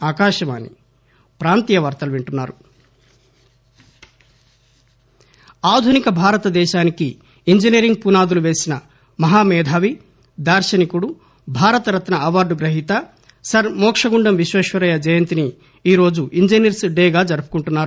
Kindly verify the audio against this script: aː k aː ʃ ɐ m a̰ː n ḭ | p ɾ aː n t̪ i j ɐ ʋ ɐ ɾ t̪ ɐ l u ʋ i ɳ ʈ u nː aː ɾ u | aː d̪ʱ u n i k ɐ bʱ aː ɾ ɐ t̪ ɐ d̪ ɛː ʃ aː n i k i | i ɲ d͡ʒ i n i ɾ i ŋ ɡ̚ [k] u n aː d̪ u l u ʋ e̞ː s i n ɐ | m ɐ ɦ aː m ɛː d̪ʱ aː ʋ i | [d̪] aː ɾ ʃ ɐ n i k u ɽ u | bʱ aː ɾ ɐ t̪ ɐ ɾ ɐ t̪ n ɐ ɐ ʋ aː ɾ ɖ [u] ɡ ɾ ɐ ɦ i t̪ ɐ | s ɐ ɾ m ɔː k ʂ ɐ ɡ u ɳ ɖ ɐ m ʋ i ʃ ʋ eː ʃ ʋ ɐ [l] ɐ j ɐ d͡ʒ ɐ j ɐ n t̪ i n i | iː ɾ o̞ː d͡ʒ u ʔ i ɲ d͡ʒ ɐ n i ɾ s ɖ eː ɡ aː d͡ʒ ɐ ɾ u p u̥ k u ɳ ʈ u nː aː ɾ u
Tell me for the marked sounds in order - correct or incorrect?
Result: incorrect: p, correct, correct, incorrect: ɾ

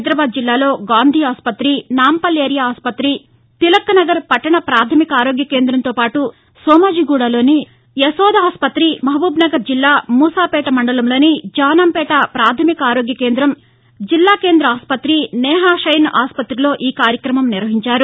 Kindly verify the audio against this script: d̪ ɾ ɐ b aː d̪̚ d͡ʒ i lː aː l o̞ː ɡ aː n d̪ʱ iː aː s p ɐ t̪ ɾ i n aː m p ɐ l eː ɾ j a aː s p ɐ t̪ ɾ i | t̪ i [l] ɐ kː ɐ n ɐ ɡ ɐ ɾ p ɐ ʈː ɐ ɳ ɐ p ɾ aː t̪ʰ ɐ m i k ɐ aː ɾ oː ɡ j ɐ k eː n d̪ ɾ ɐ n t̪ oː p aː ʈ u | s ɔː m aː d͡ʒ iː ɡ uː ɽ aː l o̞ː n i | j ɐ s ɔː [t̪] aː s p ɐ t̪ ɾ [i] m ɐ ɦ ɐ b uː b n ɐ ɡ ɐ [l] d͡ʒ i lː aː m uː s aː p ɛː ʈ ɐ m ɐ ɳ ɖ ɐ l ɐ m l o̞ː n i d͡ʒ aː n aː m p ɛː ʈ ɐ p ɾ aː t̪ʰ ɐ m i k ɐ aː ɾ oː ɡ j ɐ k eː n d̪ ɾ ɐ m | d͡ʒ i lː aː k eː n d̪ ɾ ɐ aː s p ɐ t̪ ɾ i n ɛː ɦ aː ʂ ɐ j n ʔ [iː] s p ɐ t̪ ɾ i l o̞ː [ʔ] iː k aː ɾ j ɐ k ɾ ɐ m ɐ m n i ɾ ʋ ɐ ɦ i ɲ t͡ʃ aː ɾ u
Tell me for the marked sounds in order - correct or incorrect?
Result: correct, incorrect: d̪, correct, incorrect: ɾ, incorrect: aː, correct

